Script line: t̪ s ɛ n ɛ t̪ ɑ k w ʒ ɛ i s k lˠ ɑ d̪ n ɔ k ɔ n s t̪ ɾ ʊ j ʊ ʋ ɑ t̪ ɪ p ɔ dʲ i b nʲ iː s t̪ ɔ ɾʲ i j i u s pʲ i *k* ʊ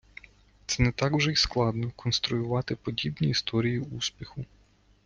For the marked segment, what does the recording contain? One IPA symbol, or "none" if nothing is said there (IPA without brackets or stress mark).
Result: x